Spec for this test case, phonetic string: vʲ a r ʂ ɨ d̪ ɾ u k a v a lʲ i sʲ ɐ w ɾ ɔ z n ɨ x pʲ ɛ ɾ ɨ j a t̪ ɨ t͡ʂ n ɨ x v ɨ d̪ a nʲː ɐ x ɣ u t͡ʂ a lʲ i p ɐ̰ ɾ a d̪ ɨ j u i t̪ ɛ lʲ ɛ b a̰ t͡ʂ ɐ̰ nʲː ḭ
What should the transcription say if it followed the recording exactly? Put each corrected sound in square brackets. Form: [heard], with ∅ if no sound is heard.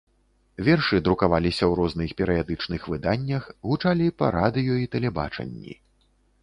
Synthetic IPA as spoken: vʲ [ɛ] r ʂ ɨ d̪ ɾ u k a v a lʲ i sʲ ɐ w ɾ ɔ z n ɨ x pʲ ɛ ɾ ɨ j a [d̪] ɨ t͡ʂ n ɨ x v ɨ d̪ a nʲː ɐ x ɣ u t͡ʂ a lʲ i p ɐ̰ ɾ a d̪ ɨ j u i t̪ ɛ lʲ ɛ b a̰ t͡ʂ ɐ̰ nʲː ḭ